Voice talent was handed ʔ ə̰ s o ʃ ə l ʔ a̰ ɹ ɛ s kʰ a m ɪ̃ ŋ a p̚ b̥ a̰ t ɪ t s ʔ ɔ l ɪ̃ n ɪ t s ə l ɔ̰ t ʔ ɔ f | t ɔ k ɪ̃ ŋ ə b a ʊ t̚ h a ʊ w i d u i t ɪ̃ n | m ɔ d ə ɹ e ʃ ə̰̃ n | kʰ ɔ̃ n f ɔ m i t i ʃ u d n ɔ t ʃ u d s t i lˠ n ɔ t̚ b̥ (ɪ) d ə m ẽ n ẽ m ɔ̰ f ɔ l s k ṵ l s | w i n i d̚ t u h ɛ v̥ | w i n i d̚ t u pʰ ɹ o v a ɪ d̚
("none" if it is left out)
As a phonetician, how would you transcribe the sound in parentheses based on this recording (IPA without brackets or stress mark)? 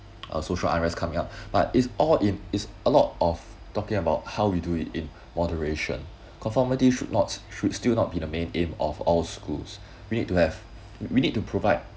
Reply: i